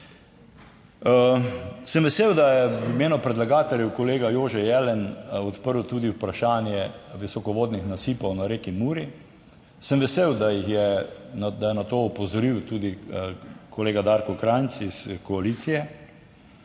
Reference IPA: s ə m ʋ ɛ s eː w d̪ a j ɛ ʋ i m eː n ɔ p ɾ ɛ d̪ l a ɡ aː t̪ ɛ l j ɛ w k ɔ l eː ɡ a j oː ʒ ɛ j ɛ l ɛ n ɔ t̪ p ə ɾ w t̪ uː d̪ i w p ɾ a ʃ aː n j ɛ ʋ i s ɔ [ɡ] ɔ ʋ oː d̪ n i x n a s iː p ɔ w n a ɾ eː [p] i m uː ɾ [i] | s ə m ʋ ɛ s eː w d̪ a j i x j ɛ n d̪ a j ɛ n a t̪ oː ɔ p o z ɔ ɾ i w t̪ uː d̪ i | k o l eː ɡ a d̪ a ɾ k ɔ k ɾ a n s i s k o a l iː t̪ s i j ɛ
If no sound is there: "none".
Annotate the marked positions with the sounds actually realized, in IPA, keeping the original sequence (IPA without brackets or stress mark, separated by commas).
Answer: k, k, i